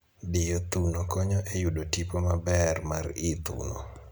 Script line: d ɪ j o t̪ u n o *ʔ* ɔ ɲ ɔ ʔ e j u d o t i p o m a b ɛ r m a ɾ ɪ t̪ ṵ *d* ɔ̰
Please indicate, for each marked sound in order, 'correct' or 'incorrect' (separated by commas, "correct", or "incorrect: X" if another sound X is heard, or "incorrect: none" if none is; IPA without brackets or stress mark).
incorrect: k, incorrect: n